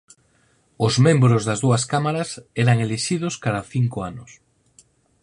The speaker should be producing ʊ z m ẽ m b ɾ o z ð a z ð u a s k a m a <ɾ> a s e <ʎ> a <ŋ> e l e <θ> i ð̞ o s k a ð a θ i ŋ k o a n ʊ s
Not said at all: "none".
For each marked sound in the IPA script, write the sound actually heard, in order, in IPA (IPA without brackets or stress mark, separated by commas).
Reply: ɾ, ɾ, ŋ, ʃ